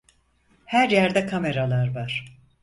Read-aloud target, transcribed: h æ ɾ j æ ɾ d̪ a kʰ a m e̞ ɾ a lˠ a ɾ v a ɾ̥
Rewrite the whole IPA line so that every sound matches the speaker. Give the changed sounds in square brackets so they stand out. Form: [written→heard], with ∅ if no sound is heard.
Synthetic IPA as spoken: h æ ɾ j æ ɾ d̪ [a→ɛ] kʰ a m e̞ ɾ a lˠ a ɾ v a ɾ̥